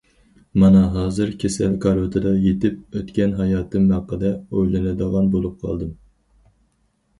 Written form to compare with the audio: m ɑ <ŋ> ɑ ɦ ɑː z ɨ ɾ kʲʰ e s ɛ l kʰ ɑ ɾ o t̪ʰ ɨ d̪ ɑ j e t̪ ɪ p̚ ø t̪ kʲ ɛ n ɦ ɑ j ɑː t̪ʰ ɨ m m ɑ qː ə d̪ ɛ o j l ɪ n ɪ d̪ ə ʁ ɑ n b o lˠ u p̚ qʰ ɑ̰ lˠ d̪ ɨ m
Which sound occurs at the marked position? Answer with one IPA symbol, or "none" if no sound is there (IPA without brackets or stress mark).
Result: n